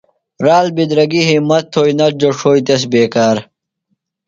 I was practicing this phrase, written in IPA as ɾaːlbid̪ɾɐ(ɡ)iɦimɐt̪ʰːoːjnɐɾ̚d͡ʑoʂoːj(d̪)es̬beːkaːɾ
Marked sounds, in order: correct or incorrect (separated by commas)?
correct, incorrect